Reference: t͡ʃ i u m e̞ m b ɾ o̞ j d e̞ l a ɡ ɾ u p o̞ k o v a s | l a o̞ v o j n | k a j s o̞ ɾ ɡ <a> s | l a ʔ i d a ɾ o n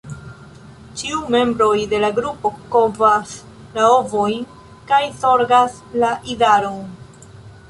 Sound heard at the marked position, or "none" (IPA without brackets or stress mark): a